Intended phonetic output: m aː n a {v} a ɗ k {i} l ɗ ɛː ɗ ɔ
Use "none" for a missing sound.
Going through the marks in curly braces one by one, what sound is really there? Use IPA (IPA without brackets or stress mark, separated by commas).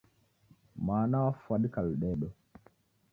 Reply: f, a